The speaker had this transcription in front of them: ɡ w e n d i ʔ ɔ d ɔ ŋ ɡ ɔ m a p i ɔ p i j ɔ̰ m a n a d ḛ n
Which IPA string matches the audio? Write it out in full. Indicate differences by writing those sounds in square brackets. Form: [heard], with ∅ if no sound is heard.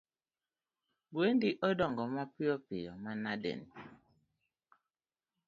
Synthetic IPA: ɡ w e n d i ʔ ɔ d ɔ ŋ ɡ ɔ m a p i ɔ p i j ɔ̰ m a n a d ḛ n